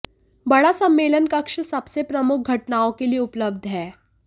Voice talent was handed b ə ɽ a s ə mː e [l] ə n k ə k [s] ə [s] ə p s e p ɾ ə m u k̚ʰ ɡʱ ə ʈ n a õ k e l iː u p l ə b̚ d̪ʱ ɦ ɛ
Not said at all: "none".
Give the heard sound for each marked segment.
l, ʂ, s

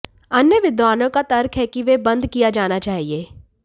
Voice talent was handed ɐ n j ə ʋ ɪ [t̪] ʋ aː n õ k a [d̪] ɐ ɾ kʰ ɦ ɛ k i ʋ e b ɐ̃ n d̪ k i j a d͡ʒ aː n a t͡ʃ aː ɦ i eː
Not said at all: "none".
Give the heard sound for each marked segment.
d̪, t̪

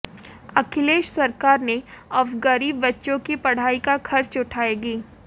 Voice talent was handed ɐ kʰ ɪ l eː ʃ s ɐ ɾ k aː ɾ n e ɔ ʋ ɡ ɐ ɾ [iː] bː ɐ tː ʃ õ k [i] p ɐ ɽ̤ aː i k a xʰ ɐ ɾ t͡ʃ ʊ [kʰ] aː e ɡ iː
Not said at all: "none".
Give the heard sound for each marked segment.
iː, i, ʈʰ

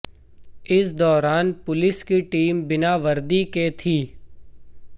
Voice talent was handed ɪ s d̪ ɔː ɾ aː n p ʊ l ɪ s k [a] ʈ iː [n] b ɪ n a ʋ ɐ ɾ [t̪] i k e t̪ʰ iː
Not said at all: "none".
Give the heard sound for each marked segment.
i, m, d̪

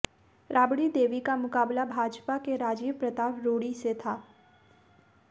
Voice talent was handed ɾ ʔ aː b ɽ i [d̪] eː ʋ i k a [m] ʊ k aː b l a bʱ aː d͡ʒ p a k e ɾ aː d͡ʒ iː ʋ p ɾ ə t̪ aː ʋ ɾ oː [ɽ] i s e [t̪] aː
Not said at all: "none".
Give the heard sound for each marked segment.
d̪, m, ɽ, t̪ʰ

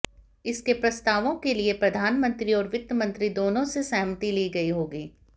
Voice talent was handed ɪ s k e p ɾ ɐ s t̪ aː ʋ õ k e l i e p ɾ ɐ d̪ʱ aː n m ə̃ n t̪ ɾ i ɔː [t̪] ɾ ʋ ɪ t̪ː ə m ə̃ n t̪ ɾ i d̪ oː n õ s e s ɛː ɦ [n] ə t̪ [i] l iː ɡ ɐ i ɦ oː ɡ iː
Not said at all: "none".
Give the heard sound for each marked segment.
none, m, i

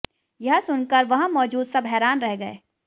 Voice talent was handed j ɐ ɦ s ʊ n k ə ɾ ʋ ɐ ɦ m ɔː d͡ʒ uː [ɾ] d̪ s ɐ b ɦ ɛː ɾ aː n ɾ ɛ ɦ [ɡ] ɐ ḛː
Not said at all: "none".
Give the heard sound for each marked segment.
none, ɡ

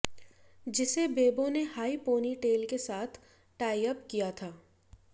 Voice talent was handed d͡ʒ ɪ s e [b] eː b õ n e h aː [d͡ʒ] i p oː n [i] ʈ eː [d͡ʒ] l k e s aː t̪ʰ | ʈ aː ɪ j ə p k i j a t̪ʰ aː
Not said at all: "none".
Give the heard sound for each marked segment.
b, none, i, none

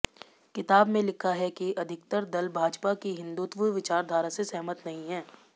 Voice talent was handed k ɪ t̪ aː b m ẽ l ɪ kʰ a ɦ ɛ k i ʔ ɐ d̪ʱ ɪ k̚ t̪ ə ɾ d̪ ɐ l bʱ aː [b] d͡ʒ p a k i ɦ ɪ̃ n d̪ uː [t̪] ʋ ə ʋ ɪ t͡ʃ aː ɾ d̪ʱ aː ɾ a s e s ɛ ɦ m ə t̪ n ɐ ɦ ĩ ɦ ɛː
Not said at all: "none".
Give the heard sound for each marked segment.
none, t̪

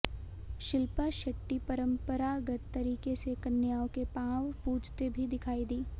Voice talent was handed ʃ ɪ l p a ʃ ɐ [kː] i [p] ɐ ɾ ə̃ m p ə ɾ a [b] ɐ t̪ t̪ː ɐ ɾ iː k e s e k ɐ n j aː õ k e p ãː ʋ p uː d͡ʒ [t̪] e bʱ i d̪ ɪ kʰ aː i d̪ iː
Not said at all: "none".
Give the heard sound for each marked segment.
ʈː, p, ɡ, t̪

